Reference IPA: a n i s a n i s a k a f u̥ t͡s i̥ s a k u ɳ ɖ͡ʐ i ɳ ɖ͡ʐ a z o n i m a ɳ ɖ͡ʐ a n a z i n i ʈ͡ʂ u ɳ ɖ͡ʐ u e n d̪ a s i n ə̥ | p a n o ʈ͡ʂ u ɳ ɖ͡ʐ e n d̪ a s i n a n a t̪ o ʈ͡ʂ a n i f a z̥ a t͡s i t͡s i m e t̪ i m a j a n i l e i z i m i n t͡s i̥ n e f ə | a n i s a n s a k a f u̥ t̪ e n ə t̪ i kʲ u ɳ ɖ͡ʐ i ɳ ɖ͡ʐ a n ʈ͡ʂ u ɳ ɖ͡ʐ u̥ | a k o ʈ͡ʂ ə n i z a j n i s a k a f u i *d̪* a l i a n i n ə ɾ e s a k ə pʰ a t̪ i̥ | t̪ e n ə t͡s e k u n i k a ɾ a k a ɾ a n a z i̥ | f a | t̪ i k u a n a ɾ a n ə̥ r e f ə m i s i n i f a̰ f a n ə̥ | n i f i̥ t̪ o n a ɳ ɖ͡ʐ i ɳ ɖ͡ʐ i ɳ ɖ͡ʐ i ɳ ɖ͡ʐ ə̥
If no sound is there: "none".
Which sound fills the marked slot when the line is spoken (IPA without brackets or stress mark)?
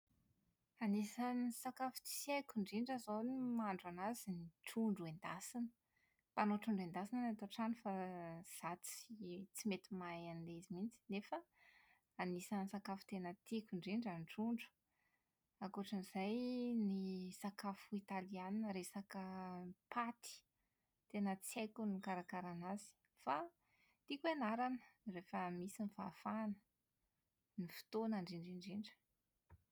t̪